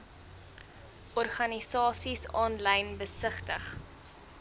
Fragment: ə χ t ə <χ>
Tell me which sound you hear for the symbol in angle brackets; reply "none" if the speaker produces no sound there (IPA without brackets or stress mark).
χ